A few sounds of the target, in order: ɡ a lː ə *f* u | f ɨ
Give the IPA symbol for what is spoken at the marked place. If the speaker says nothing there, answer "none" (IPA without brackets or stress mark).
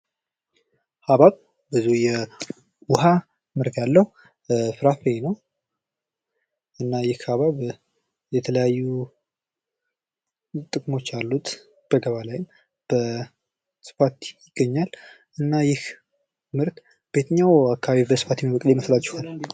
h